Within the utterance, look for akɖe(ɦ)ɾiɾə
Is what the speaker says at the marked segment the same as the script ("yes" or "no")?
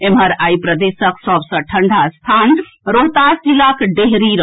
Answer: yes